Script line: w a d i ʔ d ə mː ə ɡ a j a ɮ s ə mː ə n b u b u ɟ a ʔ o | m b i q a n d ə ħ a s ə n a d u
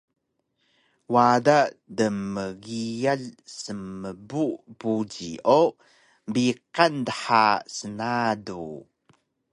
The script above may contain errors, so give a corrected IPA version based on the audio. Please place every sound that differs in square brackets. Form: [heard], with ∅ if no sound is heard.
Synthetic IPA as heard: w a d [a] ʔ d ə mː ə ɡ [i] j a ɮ s ə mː ə [∅] b u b u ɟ [i] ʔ o | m b i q a n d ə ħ a s ə n a d u